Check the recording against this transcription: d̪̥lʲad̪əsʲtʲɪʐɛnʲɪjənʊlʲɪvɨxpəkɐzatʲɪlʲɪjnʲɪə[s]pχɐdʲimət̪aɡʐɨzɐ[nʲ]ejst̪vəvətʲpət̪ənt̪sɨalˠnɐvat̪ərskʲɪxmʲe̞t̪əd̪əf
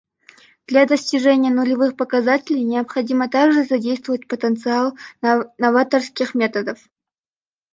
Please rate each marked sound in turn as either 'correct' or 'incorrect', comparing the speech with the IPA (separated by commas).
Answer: incorrect, incorrect